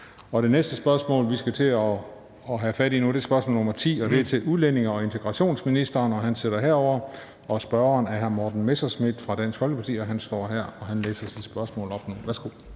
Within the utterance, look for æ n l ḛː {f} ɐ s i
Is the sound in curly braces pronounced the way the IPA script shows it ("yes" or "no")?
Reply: no